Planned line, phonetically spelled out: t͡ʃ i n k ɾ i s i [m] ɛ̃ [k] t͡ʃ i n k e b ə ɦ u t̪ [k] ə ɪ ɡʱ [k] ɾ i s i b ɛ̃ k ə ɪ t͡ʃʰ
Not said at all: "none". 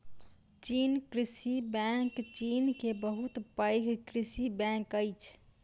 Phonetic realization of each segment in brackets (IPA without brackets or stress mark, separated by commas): b, k, p, k